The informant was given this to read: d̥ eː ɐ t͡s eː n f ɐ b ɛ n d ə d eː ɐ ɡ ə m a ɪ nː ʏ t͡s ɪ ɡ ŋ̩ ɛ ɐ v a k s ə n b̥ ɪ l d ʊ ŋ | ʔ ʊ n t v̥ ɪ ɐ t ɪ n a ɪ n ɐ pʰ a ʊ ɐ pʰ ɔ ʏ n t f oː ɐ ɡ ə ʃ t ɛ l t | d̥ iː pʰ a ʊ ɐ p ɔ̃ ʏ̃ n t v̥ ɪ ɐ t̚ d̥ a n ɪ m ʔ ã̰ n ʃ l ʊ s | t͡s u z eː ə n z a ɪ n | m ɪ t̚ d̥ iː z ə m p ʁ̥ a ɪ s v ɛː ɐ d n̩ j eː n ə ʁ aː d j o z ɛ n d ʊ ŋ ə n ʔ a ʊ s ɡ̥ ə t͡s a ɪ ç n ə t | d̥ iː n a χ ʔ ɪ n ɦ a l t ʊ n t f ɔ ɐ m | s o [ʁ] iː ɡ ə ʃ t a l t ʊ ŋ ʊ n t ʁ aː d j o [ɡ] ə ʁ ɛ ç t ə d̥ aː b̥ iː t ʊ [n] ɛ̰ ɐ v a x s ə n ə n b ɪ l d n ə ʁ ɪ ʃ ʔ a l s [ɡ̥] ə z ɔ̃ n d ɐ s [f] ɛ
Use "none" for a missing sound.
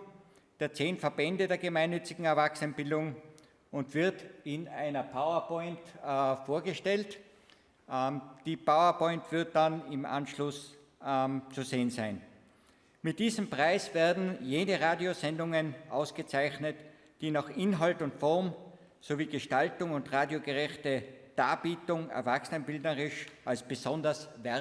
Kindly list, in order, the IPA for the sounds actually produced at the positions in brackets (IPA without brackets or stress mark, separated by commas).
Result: v, ɡ, ŋ, b̥, v